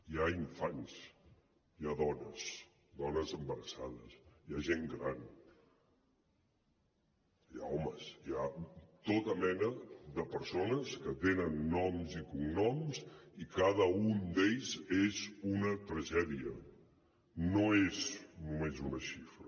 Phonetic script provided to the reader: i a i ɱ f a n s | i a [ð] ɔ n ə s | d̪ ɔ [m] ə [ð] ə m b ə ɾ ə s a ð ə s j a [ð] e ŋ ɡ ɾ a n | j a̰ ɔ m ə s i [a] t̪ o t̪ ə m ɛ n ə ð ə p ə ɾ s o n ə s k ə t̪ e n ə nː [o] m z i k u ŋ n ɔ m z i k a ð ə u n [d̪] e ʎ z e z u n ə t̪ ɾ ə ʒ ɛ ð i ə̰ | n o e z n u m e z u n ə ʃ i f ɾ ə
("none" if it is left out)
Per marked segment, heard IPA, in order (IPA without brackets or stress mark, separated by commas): ð, n, z, ʒ, a, ɔ, d̪